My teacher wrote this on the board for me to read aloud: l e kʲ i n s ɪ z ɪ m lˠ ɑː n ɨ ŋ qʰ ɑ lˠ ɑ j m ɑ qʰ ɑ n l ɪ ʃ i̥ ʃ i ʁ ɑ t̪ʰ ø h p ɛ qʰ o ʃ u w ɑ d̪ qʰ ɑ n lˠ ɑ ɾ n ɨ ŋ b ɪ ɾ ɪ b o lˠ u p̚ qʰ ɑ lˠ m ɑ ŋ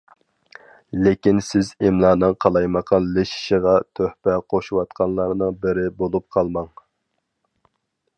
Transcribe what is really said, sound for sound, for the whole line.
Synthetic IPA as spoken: l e kʲ i n s ɪ z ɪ m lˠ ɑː n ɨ ŋ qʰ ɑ lˠ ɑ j m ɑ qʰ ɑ n l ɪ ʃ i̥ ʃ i ʁ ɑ t̪ʰ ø h p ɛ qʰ o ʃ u w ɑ t̪ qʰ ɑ n lˠ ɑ ɾ n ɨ ŋ b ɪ ɾ ɪ b o lˠ u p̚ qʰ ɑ lˠ m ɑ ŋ

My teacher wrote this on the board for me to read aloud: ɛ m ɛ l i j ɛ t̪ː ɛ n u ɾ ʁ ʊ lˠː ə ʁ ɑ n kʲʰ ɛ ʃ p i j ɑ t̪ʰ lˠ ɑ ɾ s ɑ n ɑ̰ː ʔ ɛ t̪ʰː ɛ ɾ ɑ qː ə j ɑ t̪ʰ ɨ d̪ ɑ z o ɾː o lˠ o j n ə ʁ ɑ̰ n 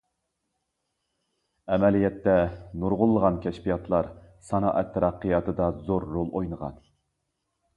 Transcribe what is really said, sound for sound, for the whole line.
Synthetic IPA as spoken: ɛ m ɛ l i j ɛ t̪ː ɛ n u ɾ ʁ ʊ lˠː ə ʁ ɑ n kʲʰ ɛ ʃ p i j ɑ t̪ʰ lˠ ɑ ɾ s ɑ n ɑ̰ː ʔ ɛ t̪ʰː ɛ ɾ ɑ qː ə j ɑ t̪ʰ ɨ d̪ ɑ z o ɾː o lˠ o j n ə ʁ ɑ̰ n

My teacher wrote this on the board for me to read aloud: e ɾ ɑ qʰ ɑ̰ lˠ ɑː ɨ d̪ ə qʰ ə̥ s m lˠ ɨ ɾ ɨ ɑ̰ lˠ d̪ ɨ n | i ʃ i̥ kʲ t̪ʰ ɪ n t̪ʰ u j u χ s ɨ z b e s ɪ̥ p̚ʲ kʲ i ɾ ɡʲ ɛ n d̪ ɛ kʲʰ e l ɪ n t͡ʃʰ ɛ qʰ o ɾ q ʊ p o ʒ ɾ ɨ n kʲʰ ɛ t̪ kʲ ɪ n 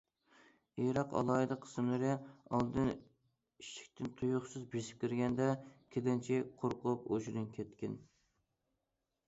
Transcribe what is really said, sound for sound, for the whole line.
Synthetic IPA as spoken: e ɾ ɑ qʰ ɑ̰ lˠ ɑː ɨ d̪ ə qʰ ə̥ s m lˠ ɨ ɾ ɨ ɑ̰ lˠ d̪ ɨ n | i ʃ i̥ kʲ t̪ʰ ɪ n t̪ʰ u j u χ s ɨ z b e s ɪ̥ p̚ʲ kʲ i ɾ ɡʲ ɛ n d̪ ɛ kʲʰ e l ɪ n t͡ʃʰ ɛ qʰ o ɾ q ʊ p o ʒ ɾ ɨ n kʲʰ ɛ t̪ kʲ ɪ n

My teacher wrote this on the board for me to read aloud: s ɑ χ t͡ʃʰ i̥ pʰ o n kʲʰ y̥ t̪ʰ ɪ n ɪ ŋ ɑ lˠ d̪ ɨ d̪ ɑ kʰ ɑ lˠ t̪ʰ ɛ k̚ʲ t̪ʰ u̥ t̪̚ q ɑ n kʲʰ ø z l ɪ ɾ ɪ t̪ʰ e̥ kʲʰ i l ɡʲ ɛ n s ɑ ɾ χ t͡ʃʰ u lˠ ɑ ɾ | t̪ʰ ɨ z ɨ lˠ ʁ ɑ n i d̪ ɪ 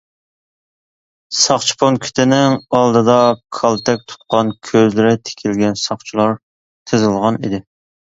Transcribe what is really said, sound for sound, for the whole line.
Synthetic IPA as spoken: s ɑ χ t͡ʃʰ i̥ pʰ o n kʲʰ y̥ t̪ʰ ɪ n ɪ ŋ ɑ lˠ d̪ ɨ d̪ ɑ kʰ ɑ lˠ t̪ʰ ɛ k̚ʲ t̪ʰ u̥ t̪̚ q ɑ n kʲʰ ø z l ɪ ɾ ɪ t̪ʰ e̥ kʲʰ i l ɡʲ ɛ n s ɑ χ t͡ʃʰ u lˠ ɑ ɾ | t̪ʰ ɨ z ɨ lˠ ʁ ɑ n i d̪ ɪ

